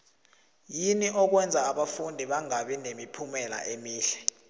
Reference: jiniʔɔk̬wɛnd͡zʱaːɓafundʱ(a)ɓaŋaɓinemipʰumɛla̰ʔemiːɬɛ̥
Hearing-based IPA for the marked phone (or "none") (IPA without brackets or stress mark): i